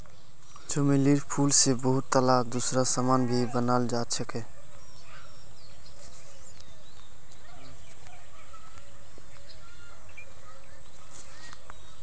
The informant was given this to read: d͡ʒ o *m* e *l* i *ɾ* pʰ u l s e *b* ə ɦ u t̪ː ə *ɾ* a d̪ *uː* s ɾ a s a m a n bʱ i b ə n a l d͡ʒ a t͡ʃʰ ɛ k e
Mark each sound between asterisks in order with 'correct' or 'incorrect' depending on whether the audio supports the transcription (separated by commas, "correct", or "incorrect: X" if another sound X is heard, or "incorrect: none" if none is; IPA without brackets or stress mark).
correct, correct, correct, correct, incorrect: l, incorrect: u